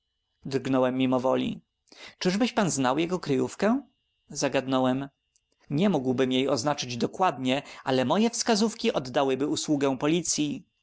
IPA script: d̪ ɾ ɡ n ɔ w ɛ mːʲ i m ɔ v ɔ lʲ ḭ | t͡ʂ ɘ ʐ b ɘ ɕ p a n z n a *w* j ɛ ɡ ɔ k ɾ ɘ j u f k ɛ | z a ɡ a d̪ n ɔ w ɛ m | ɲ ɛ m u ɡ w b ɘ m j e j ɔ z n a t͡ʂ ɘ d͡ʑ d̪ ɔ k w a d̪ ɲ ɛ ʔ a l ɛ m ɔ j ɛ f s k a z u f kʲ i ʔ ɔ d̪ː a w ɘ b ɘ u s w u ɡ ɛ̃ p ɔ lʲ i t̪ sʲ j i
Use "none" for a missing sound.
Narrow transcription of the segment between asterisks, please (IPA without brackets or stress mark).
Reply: w